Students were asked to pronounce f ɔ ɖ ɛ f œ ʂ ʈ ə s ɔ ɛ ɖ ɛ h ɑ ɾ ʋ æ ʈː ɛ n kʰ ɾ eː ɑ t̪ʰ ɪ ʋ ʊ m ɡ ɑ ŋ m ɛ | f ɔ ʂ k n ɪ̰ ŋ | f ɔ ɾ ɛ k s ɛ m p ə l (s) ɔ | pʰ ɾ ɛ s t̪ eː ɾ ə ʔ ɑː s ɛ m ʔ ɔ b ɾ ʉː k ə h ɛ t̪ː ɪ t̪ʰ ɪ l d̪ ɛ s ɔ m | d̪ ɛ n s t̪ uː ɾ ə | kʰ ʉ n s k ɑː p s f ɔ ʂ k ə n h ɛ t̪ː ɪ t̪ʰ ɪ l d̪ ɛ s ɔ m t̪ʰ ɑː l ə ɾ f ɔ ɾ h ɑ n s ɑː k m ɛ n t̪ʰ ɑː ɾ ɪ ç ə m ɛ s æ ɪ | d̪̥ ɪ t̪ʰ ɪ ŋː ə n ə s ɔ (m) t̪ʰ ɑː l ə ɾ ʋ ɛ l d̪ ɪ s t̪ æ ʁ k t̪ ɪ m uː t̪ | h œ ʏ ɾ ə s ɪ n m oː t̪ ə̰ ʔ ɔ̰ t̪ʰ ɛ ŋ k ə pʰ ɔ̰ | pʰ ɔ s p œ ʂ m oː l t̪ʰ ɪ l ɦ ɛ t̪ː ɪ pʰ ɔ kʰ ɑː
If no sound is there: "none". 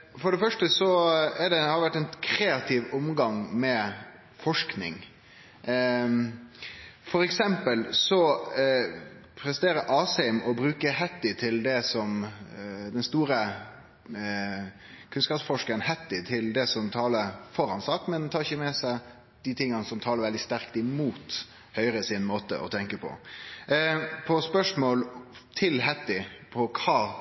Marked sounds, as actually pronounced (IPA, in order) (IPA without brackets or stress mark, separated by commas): s, m